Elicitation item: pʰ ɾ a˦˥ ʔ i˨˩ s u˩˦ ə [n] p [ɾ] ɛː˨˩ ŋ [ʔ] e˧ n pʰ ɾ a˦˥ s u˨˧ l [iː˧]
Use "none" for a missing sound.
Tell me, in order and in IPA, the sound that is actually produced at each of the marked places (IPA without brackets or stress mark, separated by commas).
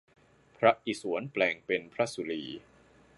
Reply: n, l, p, iː˧